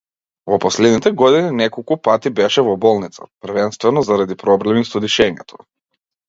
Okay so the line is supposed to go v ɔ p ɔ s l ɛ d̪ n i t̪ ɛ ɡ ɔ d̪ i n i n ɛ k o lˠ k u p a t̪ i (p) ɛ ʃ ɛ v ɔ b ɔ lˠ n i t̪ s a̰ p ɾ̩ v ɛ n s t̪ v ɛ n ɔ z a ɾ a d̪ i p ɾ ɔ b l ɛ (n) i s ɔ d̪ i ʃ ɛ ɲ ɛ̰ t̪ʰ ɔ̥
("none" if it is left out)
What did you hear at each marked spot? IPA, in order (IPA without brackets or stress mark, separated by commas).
b, m